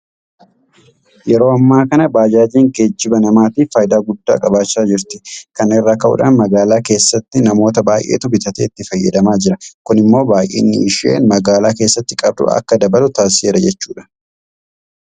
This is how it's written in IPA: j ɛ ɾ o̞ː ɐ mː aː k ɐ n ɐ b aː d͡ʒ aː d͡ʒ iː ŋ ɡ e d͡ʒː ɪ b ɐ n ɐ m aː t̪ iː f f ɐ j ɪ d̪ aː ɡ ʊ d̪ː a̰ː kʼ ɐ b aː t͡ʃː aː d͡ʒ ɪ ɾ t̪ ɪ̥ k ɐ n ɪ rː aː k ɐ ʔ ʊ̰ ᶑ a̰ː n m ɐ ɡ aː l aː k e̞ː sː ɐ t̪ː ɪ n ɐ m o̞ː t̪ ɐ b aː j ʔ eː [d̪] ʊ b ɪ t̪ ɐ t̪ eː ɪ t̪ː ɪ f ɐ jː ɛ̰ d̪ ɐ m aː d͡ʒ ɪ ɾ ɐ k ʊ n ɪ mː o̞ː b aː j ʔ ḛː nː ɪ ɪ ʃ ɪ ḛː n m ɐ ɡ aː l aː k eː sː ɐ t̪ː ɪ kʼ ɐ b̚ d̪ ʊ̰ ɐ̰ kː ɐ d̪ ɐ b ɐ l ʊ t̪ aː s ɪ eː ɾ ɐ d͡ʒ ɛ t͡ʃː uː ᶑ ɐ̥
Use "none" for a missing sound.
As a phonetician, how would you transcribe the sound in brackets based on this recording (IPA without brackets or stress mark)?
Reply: t̪